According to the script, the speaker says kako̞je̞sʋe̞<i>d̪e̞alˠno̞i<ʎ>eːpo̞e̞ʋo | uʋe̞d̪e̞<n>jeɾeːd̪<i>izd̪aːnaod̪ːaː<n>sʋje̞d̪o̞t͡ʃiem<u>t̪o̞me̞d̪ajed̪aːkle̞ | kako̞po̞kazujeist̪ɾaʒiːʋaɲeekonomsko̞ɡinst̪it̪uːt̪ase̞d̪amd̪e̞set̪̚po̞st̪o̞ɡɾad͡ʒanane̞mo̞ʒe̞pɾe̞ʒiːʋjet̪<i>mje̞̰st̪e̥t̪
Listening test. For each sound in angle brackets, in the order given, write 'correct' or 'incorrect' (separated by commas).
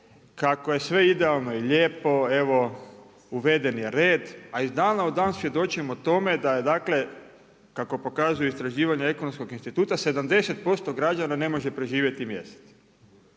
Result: correct, correct, correct, incorrect, correct, incorrect, correct